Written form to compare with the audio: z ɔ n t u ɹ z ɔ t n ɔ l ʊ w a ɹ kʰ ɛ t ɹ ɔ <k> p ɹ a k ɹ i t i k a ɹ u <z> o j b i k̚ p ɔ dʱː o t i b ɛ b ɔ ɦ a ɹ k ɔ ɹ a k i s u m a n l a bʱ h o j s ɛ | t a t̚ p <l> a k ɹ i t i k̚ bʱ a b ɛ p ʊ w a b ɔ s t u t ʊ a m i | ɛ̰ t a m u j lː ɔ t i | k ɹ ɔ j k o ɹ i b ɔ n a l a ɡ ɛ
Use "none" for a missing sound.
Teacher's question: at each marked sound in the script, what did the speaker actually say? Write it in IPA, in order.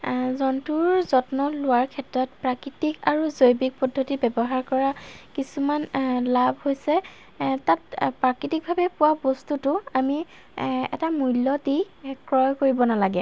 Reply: t, z, ɹ

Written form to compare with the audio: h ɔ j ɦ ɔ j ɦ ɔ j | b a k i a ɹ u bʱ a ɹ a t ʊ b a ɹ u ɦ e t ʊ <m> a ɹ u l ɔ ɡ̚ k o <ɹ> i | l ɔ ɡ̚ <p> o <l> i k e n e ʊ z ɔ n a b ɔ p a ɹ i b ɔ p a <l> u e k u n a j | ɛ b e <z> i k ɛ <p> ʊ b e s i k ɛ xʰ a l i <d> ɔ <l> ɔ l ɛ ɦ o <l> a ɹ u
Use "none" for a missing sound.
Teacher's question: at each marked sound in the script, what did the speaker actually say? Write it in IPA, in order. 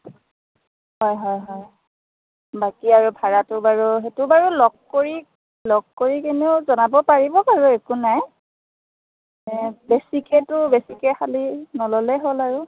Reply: b, ɹ, k, ɹ, ɹ, s, t, n, l, l

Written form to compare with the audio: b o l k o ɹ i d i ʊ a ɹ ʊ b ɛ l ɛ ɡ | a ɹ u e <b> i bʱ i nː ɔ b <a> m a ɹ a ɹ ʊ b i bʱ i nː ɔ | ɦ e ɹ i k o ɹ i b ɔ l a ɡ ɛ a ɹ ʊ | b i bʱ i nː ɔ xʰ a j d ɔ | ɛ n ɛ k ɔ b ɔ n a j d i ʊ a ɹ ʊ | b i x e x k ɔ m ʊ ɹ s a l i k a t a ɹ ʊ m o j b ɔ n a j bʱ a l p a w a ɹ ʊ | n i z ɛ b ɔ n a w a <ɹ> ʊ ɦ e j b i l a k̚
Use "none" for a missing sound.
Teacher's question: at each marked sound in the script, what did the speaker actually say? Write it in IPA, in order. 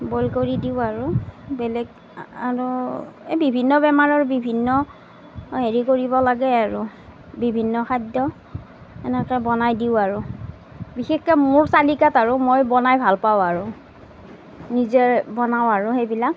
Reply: b, ɛ, ɹ

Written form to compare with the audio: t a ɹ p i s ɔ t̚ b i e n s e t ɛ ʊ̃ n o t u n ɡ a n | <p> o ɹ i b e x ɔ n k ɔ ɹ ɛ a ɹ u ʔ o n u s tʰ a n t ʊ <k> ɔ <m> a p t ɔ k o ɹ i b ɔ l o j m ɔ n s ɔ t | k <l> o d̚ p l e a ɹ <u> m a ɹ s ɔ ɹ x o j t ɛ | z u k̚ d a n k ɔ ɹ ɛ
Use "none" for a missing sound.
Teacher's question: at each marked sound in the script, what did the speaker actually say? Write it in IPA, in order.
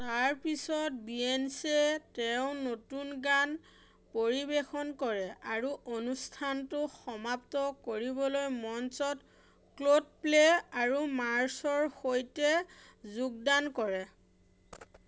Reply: p, x, m, l, u

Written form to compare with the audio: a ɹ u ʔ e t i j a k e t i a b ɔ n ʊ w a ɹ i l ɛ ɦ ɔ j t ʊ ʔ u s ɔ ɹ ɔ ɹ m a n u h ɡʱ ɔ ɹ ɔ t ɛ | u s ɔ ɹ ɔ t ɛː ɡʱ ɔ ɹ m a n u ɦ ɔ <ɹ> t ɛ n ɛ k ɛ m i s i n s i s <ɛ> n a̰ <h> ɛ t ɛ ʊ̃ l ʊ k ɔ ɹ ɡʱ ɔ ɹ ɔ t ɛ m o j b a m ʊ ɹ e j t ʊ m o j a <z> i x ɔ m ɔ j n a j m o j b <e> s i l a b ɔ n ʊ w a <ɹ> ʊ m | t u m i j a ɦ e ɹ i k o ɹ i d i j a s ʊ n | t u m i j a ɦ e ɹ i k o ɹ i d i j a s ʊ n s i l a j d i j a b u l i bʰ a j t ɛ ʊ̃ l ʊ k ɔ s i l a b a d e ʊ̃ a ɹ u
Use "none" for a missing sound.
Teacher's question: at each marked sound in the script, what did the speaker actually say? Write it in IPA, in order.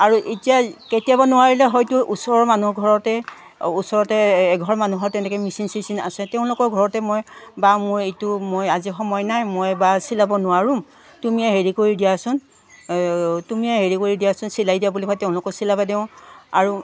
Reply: ɹ, i, s, z, a, ɹ

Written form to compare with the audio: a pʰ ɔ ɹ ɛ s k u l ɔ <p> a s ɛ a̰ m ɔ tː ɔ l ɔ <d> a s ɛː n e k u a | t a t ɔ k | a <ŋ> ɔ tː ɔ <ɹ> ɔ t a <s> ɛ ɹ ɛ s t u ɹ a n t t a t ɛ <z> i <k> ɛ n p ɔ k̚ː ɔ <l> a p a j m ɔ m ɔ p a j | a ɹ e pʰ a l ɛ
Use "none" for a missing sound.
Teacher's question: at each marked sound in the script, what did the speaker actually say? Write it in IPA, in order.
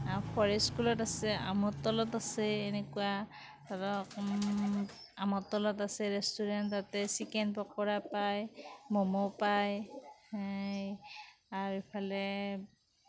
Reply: t, t, m, l, s, s, k, ɹ

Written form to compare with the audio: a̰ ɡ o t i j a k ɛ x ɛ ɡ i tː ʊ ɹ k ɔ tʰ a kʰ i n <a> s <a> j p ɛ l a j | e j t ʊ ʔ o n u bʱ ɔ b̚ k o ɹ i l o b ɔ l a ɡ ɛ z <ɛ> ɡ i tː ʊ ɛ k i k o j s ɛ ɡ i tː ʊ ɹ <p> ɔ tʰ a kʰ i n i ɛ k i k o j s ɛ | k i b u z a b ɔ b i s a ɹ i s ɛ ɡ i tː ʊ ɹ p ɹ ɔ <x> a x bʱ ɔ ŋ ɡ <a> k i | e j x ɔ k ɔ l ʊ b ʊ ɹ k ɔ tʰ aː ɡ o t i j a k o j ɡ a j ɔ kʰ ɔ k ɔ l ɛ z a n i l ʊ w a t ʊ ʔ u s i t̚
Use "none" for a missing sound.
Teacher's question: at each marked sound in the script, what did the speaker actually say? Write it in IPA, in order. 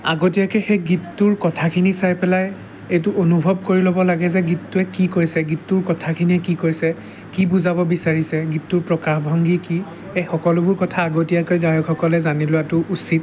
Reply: i, a, ɛ, k, k, i

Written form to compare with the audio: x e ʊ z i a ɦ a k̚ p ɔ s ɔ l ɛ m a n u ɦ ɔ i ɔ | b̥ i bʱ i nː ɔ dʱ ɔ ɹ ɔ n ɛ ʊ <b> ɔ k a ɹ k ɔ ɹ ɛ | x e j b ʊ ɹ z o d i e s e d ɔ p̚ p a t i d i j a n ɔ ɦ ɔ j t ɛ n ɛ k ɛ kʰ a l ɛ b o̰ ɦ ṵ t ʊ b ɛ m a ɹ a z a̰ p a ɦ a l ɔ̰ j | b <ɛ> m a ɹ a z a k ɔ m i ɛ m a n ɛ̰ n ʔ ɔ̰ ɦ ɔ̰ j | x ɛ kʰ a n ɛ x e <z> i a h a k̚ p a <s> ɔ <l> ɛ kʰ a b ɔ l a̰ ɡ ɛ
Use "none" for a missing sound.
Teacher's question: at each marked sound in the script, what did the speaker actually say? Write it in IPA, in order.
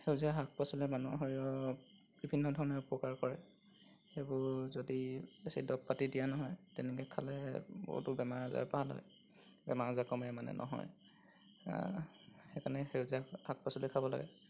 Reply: p, ɛ, z, s, l

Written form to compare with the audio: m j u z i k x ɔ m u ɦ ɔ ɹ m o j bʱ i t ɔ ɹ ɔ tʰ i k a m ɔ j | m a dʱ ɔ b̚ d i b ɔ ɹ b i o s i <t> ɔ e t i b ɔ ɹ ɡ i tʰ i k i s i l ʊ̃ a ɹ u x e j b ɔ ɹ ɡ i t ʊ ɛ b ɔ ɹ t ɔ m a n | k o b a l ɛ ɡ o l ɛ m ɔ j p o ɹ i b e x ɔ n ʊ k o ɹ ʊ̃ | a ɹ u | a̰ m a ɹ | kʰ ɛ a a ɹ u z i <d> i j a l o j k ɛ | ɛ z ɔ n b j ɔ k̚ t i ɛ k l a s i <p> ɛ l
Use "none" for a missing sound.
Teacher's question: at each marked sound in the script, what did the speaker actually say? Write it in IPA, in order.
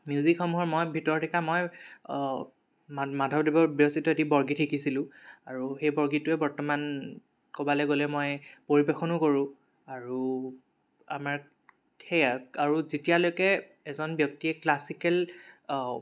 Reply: t, t, k

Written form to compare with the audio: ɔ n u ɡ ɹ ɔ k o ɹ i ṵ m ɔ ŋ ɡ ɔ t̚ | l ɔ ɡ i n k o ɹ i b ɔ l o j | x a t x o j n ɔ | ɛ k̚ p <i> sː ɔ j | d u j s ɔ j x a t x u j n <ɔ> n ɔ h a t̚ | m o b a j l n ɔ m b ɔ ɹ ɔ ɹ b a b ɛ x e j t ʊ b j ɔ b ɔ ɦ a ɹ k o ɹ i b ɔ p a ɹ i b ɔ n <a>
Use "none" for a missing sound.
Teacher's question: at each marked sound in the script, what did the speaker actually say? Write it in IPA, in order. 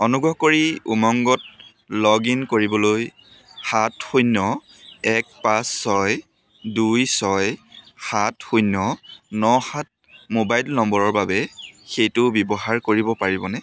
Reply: a, ɔ, ɛ

